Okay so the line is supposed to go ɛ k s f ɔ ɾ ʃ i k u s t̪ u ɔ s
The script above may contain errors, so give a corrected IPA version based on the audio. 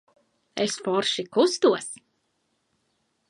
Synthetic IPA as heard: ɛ s f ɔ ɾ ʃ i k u s t̪ u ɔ s